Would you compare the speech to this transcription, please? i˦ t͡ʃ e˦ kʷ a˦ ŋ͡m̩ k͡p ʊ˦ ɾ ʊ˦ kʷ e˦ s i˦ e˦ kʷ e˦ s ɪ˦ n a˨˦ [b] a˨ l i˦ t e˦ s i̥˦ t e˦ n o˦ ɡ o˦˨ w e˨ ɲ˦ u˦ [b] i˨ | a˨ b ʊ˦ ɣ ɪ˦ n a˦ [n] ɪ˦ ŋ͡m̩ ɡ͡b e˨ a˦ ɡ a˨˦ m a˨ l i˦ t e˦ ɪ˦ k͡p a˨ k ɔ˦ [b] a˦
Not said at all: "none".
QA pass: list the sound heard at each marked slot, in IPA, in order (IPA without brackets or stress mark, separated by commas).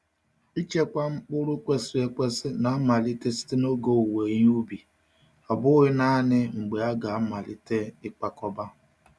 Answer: m, b, n, b